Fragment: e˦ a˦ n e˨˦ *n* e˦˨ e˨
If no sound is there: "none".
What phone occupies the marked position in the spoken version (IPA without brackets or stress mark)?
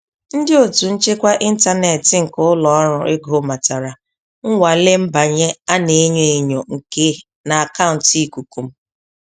ɲ